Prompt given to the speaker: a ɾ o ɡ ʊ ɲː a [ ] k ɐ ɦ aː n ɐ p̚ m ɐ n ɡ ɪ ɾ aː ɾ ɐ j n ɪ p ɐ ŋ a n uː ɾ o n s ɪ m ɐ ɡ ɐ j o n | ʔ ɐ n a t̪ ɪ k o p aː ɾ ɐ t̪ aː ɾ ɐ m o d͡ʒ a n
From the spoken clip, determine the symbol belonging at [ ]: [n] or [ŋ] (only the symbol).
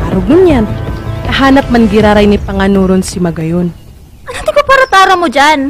n